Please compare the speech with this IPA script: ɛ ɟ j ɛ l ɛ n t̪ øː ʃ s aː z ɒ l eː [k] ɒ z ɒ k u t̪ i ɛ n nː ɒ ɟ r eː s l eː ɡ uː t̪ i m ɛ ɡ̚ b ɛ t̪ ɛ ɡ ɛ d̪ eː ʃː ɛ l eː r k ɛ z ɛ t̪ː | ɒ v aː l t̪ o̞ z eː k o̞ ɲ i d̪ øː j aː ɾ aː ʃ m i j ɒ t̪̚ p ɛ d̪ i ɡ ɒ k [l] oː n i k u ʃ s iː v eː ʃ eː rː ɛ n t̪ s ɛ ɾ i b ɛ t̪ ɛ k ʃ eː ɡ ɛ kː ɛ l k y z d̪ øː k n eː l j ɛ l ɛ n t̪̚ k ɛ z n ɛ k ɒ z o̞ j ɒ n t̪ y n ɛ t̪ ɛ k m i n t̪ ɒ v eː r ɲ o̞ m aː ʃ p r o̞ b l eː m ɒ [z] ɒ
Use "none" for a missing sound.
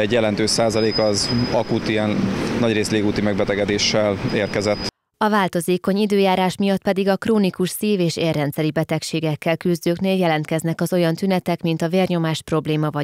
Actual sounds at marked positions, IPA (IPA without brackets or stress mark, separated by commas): k, r, v